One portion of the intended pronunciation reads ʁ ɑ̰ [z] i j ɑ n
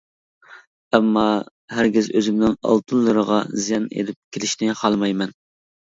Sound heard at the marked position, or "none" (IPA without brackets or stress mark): z